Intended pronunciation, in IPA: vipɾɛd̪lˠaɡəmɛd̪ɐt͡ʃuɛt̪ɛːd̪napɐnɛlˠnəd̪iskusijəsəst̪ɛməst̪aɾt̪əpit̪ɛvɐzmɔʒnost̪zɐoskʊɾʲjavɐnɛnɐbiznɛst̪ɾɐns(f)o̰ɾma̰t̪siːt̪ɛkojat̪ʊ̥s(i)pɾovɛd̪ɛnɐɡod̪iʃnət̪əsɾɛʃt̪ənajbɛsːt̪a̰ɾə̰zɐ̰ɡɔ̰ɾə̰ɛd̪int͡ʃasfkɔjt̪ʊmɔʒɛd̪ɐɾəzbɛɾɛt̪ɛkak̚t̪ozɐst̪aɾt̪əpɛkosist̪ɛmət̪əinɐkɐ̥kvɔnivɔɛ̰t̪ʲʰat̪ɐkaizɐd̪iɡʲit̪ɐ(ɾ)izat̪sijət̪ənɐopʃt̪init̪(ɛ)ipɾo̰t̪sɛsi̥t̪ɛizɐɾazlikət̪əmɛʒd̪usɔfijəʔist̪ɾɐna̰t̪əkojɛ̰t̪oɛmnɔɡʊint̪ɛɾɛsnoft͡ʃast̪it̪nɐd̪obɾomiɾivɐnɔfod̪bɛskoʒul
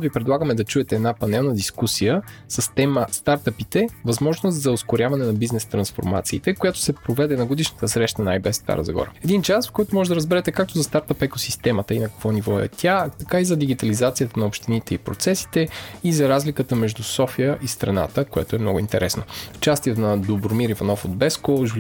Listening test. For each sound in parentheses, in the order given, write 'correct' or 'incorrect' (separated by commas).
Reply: correct, incorrect, incorrect, correct